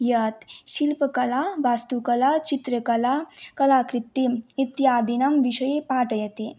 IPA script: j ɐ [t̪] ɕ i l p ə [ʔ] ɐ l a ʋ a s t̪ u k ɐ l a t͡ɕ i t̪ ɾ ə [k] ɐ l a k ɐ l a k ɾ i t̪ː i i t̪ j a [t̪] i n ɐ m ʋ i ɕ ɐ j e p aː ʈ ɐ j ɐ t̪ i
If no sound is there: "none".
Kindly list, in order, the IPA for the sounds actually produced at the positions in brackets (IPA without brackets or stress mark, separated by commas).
t̪, k, k, d̪